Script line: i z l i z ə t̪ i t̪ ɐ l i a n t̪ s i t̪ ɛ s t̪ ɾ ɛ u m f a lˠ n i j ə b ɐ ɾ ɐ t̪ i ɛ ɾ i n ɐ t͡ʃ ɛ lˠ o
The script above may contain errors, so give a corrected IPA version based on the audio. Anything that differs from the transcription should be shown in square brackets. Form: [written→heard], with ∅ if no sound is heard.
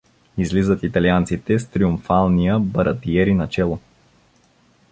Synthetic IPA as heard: i z l i z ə t̪ i t̪ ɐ l i a n t̪ s i t̪ ɛ s t̪ ɾ [ɛ→i] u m f a lˠ n i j ə b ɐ ɾ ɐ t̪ i ɛ ɾ i n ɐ t͡ʃ ɛ lˠ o